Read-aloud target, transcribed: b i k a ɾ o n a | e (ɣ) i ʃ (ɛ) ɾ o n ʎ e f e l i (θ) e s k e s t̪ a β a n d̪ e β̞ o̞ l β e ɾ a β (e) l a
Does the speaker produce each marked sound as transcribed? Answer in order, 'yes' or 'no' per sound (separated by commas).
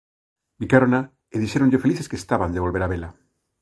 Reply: no, no, yes, yes